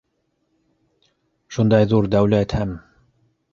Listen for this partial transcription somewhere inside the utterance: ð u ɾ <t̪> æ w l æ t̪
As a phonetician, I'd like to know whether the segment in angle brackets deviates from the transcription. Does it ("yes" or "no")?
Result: yes